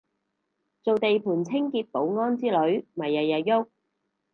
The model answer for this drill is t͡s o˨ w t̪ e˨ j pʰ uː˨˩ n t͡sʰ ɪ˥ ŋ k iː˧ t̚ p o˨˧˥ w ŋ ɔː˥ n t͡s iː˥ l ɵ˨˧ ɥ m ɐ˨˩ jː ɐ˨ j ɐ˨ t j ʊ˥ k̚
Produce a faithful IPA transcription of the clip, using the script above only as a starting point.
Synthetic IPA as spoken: t͡s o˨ w t̪ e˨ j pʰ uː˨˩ n t͡sʰ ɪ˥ ŋ k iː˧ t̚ p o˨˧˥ w ŋ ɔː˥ n t͡s iː˥ l ɵ˨˧ ɥ m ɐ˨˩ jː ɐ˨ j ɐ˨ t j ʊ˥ k̚

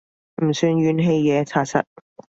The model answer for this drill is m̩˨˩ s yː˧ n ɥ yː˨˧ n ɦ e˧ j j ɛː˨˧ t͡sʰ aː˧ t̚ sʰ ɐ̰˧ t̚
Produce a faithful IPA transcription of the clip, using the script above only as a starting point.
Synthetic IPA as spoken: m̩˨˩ s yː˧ n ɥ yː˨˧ n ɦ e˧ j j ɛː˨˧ t͡sʰ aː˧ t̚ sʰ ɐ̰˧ t̚

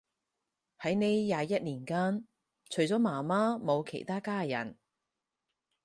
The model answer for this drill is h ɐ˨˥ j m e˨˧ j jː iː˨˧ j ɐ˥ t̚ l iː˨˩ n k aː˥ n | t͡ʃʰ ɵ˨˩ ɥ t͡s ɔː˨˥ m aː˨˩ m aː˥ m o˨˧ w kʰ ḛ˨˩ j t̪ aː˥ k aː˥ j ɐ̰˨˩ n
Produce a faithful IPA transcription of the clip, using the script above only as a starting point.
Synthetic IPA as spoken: h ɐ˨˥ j n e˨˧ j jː aː˨˧ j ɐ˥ t̚ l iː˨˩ n k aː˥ n | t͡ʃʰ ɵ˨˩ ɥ t͡s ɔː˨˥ m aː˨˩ m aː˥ m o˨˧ w kʰ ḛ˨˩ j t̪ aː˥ k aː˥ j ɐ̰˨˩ n

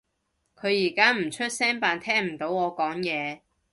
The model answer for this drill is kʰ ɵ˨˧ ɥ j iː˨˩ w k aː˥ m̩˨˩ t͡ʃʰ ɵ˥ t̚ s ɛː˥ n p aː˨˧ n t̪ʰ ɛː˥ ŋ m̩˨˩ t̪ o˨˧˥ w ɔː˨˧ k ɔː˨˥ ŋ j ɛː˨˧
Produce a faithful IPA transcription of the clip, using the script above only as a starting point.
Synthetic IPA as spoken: kʰ ɵ˨˧ ɥ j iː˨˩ k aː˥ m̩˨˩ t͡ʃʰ ɵ˥ t̚ s ɛː˥ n p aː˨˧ n t̪ʰ ɛː˥ ŋ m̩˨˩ t̪ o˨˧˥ w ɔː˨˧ k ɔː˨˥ ŋ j ɛː˨˧

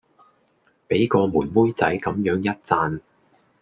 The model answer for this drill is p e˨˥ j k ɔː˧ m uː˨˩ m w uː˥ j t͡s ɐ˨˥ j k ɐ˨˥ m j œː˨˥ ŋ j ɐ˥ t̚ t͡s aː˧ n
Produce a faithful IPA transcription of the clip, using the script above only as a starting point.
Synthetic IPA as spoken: p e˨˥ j k ɔː˧ m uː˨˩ n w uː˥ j t͡s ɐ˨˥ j k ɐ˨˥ m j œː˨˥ ŋ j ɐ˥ t̚ t͡s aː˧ n

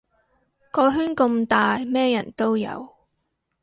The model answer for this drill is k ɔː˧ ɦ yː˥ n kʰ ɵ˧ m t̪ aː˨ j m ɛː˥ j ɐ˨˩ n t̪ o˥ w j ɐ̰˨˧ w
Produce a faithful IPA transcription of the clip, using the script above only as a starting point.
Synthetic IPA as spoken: k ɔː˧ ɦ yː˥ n k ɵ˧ m t̪ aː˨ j m ɛː˥ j ɐ˨˩ n t̪ o˥ w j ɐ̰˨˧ w

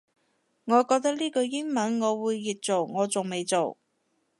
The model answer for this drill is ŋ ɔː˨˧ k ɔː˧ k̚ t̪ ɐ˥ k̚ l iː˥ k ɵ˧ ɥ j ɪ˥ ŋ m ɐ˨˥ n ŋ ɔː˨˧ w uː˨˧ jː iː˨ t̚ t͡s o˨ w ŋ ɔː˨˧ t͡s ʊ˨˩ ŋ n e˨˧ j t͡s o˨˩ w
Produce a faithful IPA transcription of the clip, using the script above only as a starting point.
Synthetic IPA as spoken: ŋ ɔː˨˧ k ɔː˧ k̚ t̪ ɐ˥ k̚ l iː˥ k ɵ˧ ɥ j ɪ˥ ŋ m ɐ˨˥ n ŋ ɔː˨˧ w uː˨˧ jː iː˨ t̚ t͡s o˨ w ŋ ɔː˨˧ t͡s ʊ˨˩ ŋ m e˨˧ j t͡s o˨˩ w

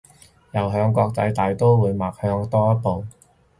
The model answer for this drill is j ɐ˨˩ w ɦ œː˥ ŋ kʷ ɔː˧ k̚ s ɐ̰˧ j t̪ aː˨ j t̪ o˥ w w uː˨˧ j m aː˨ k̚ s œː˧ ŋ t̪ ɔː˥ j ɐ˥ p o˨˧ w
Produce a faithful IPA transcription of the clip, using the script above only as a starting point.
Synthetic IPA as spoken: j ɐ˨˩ w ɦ œː˧ ŋ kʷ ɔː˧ k̚ t͡s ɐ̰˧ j t̪ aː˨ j t̪ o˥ w w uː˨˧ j m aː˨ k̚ h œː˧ ŋ t̪ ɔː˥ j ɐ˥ p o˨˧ w

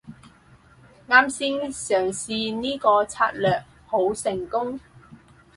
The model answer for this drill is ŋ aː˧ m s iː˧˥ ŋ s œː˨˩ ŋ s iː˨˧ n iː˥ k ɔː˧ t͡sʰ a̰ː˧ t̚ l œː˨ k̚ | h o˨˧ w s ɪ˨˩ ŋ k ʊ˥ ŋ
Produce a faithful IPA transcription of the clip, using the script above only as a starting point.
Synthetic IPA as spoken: ŋ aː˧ m s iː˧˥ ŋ s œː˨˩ ŋ s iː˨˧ n iː˥ k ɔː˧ t͡sʰ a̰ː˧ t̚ l œː˨ k̚ | h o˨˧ w s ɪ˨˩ ŋ k ʊ˥ ŋ

